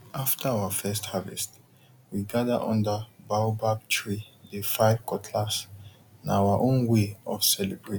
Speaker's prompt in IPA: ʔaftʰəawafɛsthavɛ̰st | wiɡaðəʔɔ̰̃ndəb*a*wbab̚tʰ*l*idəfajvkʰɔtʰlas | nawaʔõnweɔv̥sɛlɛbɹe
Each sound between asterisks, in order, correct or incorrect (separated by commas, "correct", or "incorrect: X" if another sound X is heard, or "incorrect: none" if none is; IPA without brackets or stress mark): correct, incorrect: ɹ